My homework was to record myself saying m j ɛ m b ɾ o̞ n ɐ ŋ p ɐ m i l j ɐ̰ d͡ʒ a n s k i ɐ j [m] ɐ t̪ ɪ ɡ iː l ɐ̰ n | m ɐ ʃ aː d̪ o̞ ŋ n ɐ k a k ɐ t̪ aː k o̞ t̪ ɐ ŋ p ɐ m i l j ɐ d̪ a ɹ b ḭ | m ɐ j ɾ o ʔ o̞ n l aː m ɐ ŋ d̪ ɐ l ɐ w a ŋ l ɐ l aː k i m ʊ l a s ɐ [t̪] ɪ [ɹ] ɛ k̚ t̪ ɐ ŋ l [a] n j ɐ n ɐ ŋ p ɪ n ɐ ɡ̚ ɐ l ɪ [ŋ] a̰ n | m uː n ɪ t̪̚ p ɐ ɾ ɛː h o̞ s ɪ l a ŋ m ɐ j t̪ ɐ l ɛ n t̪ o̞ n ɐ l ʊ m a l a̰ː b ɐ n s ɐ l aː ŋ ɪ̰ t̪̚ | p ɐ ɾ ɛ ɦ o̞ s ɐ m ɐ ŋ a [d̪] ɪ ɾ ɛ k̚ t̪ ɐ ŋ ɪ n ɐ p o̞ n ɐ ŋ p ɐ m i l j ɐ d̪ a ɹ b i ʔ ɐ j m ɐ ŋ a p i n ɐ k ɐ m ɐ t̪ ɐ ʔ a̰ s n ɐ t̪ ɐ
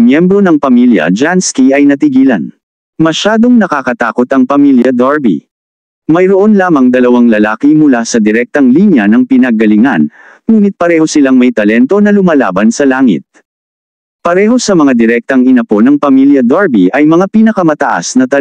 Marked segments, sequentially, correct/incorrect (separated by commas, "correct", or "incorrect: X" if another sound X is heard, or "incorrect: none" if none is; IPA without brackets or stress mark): incorrect: n, incorrect: d̪, incorrect: ɾ, incorrect: i, correct, correct